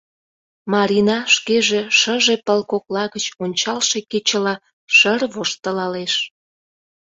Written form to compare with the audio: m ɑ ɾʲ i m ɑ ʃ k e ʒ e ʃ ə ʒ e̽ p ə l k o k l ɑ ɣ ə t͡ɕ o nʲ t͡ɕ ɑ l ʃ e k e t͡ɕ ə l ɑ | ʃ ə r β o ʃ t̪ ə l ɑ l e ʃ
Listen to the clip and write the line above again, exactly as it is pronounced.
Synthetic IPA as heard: m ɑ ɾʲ i n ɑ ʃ k e ʒ e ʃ ə ʒ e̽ p ə l k o k l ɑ ɣ ə t͡ɕ o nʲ t͡ɕ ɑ l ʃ e k e t͡ɕ ə l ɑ | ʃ ə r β o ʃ t̪ ə l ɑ l e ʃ